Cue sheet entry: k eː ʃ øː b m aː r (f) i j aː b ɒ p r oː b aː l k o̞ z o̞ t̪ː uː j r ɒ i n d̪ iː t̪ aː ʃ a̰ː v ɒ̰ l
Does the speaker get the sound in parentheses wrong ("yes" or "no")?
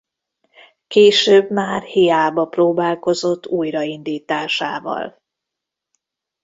yes